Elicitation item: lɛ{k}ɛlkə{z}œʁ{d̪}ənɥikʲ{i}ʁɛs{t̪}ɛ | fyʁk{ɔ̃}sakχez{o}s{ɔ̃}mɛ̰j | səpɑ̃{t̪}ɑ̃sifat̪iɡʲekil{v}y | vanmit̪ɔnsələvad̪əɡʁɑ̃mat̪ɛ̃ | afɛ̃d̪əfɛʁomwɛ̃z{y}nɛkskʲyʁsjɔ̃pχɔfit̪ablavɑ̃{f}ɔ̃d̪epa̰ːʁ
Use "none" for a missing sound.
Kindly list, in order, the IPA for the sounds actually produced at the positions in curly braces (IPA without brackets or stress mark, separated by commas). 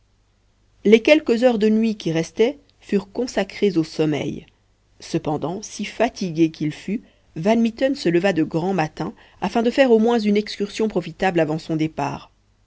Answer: k, z, d̪, i, t̪, ɔ̃, o, ɔ, d̪, f, y, s